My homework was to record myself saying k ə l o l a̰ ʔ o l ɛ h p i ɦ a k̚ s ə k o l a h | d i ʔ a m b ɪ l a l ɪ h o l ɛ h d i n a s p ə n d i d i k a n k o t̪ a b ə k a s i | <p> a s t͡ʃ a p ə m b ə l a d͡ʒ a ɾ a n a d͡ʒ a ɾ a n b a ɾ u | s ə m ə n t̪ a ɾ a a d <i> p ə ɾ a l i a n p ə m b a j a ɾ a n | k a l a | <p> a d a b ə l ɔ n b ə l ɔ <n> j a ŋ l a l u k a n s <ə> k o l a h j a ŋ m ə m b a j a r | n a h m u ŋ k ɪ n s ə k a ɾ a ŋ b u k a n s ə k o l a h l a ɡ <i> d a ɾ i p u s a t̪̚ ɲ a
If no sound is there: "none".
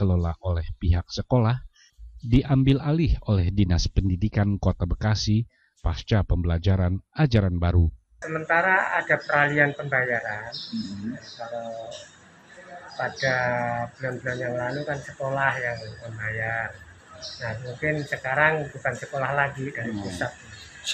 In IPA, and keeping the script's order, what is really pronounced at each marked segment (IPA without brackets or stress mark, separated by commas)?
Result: p, a, p, n, ə, i